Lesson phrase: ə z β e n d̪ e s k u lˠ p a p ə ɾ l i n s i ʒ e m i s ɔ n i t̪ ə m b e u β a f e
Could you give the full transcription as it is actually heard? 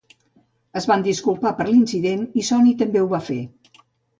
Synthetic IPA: ə z β a n d̪ i s k u lˠ p a p ə ɾ l i n s i ð e n i s ɔ n i t̪ ə m b e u β a f e

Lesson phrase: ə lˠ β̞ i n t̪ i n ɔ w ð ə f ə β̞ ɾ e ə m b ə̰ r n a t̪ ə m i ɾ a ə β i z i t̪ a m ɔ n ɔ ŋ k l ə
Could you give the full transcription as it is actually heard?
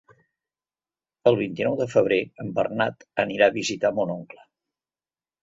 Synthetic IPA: ə lˠ β̞ i n t̪ i n ɔ w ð ə f ə β̞ ɾ e ə m b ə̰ r n a t̪ ə n i ɾ a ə β i z i t̪ a m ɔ n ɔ ŋ k l ə

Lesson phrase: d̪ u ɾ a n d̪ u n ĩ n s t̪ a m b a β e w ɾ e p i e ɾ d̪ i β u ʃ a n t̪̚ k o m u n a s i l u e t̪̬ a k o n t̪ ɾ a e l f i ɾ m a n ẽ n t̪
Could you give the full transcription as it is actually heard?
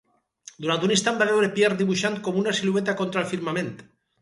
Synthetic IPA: d̪ u ɾ a n t̪ u n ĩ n s t̪ a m b a β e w ɾ e p j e ɾ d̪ i β u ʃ a n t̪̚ k o m u n a s i l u e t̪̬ a k o n t̪ ɾ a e l f i ɾ m a m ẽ n t̪

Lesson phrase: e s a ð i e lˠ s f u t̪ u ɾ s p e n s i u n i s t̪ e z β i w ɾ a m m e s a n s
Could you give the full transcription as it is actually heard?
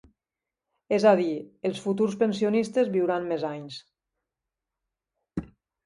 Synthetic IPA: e z a ð i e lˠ s f u t̪ u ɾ s p e n s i o n i s t̪ e z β i w ɾ a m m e z a ɲ s

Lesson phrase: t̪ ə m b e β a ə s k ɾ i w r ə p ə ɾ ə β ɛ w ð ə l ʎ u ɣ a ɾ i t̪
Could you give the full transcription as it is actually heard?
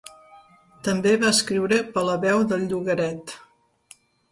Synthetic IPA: t̪ ə m b e β a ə s k ɾ i w ɾ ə p ə l ə β ɛ w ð ə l ʎ u ɣ ə ɾ ɛ t̪

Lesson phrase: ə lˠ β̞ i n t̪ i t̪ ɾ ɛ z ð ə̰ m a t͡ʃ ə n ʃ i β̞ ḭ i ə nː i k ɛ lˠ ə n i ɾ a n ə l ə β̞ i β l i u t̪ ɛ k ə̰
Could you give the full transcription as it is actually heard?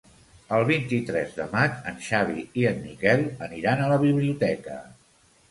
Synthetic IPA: ə lˠ β̞ i n t̪ i t̪ ɾ ɛ z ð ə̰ m a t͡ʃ ə n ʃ a β̞ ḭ i ə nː i k ɛ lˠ ə n i ɾ a n ə l ə β̞ i β l i u t̪ ɛ k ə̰

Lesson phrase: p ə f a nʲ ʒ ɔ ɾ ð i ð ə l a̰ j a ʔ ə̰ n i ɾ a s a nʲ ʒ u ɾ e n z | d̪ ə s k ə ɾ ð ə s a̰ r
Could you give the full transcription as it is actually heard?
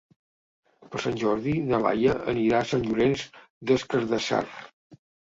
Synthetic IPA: p ə s a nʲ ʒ ɔ ɾ ð i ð ə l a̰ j ə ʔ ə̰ n i ɾ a s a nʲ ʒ u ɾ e n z | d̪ ə s k ə ɾ ð ə s a̰ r

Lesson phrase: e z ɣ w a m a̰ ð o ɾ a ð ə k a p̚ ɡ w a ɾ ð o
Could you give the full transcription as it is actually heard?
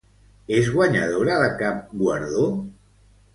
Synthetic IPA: e z ɣ w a ɲ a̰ ð o ɾ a ð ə k a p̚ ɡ w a ɾ ð o

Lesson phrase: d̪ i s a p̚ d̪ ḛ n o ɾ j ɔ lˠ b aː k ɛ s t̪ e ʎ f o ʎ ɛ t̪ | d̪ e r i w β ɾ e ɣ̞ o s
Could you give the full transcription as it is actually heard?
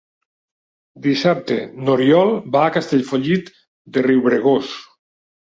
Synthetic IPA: d̪ i s a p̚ t̪ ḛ n o ɾ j ɔ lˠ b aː k a s t̪ e ʎ f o ʎ i t̪ | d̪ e r i w β ɾ e ɣ̞ o s

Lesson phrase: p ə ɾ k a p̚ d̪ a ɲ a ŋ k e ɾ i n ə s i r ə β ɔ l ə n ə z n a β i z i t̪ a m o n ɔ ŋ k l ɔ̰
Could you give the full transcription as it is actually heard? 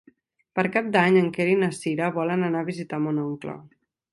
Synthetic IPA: p ə ɾ k a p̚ d̪ a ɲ ə ŋ k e ɾ i n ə s i ɾ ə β ɔ l ə n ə n a β i z i t̪ a m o n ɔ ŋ k l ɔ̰

